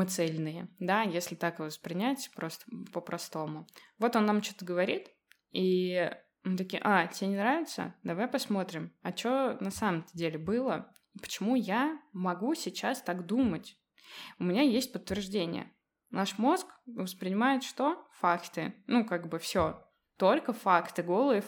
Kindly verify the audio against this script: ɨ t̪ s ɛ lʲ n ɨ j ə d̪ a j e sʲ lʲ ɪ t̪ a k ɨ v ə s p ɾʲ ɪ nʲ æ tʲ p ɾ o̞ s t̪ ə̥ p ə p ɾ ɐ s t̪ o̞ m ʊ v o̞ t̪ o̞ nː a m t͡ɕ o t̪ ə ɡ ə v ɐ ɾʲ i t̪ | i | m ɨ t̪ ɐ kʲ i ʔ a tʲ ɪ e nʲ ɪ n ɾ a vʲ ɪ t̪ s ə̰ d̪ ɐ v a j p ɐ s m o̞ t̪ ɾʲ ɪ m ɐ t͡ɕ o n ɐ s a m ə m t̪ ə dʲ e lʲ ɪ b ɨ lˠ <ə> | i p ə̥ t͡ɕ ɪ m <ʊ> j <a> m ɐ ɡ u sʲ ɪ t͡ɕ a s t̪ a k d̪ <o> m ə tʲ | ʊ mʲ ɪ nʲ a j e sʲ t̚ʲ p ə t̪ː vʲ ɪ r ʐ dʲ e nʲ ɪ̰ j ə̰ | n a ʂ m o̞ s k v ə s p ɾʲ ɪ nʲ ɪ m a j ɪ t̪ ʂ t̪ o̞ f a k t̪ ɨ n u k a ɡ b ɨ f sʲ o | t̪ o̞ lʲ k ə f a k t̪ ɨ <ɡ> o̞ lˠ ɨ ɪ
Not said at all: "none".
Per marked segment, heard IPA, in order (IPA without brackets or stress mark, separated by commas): ə, u, a, u, ɡ